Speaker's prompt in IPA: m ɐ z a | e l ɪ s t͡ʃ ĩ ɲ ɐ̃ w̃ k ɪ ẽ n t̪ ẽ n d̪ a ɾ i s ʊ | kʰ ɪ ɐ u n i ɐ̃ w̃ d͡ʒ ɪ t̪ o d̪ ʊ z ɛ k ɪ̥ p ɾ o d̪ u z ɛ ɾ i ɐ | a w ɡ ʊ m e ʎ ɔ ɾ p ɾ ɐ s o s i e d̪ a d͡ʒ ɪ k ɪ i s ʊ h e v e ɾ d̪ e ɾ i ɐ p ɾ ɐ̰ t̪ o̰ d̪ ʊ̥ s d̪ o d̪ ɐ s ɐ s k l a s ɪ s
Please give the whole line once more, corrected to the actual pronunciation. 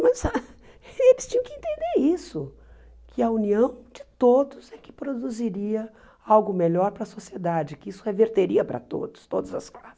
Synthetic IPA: m ɐ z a | e l ɪ s t͡ʃ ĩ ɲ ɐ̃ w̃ k ɪ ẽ n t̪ ẽ n d̪ e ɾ i s ʊ | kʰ ɪ ɐ u n i ɐ̃ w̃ d͡ʒ ɪ t̪ o d̪ ʊ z ɛ k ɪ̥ p ɾ o d̪ u z i ɾ i ɐ | a w ɡ ʊ m e ʎ ɔ ɾ p ɾ ɐ s o s i e d̪ a d͡ʒ ɪ k ɪ i s ʊ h e v e ɾ t̪ e ɾ i ɐ p ɾ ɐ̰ t̪ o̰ d̪ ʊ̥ s t̪ o d̪ ɐ z ɐ s k l a s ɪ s

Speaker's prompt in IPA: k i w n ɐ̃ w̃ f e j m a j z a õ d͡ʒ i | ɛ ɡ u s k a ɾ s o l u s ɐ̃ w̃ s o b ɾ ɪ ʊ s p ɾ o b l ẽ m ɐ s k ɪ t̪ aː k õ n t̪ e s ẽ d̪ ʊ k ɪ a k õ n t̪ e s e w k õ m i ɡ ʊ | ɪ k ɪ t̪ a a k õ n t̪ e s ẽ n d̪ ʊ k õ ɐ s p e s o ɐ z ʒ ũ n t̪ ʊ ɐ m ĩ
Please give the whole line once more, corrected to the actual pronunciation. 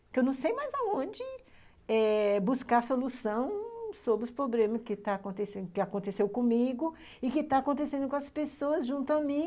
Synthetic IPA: k e w n ɐ̃ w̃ s e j m a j z a õ d͡ʒ ɪ | ɛ b u s k a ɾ s o l u s ɐ̃ w̃ s o b ɾ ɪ ʊ s p ɾ o b l ẽ m ɐ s k ɪ t̪ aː k õ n t̪ e s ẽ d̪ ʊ k ɪ a k õ n t̪ e s e w k õ m i ɡ ʊ | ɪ k ɪ t̪ a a k õ n t̪ e s ẽ n d̪ ʊ k õ ɐ s p e s o ɐ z ʒ ũ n t̪ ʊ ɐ m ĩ

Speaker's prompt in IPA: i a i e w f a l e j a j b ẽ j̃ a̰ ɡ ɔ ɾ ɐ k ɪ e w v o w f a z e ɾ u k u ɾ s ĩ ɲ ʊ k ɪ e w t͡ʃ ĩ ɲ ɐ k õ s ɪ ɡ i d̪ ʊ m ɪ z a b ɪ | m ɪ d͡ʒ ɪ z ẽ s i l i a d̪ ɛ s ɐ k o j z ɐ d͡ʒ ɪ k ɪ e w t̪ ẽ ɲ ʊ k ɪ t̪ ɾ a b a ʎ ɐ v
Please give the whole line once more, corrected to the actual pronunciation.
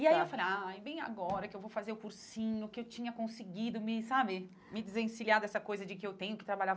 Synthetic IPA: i a i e w f a l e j a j b ẽ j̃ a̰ ɡ ɔ ɾ ɐ k ɪ e w v o w f a z e ɾ ʊ k u ɾ s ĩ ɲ ʊ k ɪ e w t͡ʃ ĩ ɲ ɐ k õ s ɪ ɡ i d̪ ʊ m ɪ s a b ɪ | m ɪ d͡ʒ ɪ z ẽ s i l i a d̪ ɛ s ɐ k o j z ɐ d͡ʒ ɪ k ɪ e w t̪ ẽ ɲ ʊ k ɪ t̪ ɾ a b a ʎ a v

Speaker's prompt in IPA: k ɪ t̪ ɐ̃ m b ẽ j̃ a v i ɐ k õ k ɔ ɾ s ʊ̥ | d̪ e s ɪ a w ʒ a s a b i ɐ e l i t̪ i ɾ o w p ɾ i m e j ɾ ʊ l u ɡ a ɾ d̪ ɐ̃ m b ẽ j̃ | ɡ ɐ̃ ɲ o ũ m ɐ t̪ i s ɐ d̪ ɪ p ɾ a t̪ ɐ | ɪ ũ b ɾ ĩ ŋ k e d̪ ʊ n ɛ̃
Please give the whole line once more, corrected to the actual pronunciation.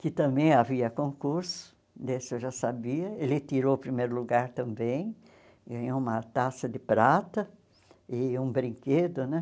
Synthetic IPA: k ɪ t̪ ɐ̃ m b ẽ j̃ a v i ɐ k õ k u ɾ s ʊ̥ | d̪ e s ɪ e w ʒ a s a b i ɐ e l ɪ t̪ i ɾ o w p ɾ i m e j ɾ ʊ l u ɡ a ɾ t̪ ɐ̃ m b ẽ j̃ | ɡ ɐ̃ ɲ o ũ m ɐ t̪ a s ɐ d̪ ɪ p ɾ a t̪ ɐ | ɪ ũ b ɾ ĩ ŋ k e d̪ ʊ n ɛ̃

